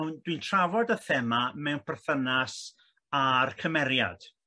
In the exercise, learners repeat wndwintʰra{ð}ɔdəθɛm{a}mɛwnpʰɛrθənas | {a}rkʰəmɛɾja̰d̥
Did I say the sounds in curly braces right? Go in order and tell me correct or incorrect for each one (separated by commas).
incorrect, correct, correct